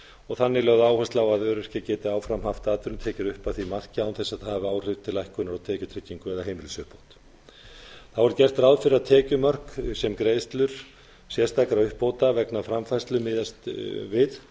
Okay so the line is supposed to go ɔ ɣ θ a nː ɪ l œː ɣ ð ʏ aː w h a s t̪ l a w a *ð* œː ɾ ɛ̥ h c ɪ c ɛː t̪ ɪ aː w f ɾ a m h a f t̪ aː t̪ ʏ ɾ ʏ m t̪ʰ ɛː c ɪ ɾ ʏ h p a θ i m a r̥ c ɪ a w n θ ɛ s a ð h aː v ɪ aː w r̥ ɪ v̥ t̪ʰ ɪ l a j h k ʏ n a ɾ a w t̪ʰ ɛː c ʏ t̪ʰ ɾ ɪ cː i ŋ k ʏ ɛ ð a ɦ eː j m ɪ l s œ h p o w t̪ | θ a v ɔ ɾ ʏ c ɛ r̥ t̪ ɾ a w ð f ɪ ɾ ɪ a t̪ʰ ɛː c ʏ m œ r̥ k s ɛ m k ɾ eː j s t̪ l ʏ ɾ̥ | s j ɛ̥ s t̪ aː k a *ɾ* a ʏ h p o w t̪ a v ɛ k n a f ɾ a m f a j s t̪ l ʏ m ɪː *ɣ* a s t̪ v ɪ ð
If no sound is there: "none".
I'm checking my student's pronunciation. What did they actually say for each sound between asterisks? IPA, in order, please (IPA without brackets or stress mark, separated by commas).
ð, ɾ, ð